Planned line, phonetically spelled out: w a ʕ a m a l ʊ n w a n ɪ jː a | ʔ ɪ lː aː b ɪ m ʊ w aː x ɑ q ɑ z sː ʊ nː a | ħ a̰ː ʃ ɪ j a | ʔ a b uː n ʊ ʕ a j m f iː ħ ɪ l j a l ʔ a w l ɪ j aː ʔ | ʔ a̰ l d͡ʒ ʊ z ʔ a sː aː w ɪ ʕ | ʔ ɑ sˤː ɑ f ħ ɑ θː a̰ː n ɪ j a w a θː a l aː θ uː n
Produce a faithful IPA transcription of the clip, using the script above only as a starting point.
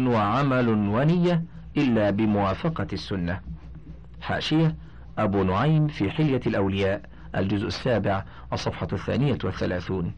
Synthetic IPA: w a ʕ a m a l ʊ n w a n ɪ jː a | ʔ ɪ lː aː b ɪ m ʊ w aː f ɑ q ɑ sː ʊ nː a | ħ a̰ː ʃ ɪ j a | ʔ a b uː n ʊ ʕ a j m f iː ħ ɪ l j a l ʔ a w l ɪ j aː ʔ | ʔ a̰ l d͡ʒ ʊ z ʔ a sː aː b ɪ ʕ | ʔ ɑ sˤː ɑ f ħ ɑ θː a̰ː n ɪ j a w a θː a l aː θ uː n